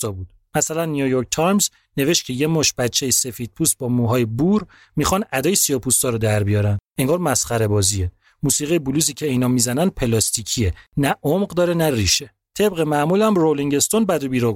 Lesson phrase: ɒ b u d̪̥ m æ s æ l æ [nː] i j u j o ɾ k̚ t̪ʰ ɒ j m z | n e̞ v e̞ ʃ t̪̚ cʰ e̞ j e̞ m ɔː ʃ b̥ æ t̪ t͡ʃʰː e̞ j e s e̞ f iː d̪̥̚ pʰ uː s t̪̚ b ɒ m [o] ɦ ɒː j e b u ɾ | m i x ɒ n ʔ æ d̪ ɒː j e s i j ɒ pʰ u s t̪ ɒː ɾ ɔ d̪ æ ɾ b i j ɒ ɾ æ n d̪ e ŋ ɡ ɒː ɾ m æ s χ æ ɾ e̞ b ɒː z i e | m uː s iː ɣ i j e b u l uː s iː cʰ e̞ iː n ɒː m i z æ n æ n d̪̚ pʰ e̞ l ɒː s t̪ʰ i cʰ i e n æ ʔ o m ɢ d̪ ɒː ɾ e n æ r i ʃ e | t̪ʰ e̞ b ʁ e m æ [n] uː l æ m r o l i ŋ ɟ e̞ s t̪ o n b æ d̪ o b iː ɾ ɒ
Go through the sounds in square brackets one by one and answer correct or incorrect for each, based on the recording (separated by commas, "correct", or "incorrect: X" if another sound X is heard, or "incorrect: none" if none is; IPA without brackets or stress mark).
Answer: correct, incorrect: u, incorrect: m